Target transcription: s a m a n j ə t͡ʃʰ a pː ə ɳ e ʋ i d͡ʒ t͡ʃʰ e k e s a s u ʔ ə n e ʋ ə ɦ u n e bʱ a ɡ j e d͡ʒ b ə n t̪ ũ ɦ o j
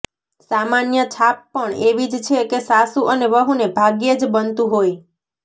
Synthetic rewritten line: s a m a n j ə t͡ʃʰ a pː ə ɳ e ʋ i d͡ʒ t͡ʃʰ e k e s a s u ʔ ə n e ʋ ə ɦ u n e bʱ a ɡ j e d͡ʒ b ə n t̪ ũ ɦ o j